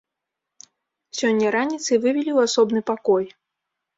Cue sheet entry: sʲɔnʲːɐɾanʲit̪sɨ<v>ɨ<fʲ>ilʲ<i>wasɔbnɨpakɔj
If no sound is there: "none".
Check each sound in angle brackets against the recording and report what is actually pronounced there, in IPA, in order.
v, vʲ, i

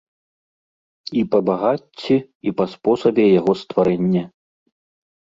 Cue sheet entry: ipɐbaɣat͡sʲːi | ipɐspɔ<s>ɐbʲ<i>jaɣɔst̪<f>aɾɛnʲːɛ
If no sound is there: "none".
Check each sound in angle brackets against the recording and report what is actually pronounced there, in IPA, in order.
s, ɛ, v

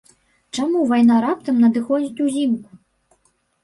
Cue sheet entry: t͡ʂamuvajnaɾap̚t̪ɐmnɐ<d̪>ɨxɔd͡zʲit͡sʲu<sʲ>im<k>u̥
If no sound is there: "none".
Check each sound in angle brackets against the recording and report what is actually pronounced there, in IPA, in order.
d̪, zʲ, k

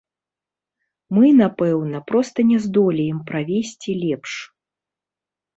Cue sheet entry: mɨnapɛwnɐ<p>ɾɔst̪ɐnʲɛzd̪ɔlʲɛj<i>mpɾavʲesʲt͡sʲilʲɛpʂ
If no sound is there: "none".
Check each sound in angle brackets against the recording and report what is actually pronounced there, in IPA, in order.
p, ɛ

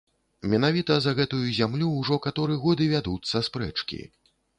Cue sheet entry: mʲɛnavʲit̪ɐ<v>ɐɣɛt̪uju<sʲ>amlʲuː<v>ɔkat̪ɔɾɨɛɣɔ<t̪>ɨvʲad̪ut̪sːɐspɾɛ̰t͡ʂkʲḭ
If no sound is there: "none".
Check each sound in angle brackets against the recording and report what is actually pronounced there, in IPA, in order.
z, zʲ, ʐ, d̪

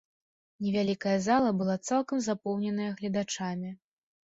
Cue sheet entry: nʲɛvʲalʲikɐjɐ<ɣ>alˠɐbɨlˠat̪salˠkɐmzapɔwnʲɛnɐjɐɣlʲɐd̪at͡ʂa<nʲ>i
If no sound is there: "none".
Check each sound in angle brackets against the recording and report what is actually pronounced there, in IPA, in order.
z, mʲ

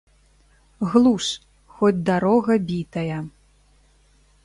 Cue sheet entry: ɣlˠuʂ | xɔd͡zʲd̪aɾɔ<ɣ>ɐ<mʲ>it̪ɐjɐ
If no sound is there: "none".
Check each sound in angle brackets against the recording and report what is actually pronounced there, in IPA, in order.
ɣ, bʲ

